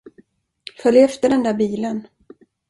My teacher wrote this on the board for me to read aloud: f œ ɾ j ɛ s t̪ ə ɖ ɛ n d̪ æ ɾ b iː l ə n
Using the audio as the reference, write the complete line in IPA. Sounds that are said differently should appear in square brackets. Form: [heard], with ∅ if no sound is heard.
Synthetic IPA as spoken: f œ [l] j ɛ [f] t̪ ə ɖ ɛ n d̪ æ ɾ b iː l ə n